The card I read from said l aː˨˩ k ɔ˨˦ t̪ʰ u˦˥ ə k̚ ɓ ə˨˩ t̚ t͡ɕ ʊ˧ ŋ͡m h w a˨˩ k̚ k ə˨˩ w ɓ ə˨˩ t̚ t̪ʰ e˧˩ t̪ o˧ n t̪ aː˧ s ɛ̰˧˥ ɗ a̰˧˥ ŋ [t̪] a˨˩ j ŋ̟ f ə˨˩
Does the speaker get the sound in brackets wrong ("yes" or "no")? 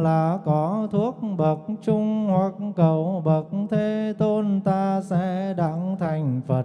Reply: yes